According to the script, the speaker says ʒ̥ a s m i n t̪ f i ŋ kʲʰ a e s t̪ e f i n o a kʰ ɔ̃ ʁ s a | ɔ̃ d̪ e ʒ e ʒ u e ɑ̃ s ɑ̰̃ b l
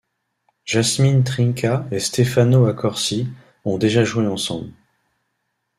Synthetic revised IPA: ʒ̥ a s m i n t̪ χ i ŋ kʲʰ a e s t̪ e f a n o a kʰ ɔ ʁ s i | ɔ̃ d̪ e ʒ a ʒ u e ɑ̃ s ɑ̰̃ b l